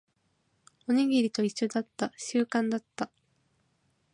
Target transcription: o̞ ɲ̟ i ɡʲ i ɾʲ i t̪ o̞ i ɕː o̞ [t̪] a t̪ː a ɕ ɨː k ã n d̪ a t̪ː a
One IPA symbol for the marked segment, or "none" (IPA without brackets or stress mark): d̪